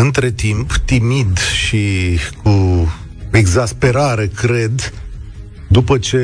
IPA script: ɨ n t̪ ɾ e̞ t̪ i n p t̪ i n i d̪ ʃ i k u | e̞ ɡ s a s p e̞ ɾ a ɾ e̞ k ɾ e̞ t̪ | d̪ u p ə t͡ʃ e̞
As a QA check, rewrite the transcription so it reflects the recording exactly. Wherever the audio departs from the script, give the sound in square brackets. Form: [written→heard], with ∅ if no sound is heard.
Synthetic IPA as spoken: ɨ n t̪ ɾ e̞ t̪ i [n→m] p t̪ i [n→m] i d̪ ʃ i k u | e̞ ɡ [s→z] a s p e̞ ɾ a ɾ e̞ k ɾ e̞ [t̪→d̪] | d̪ u p ə t͡ʃ e̞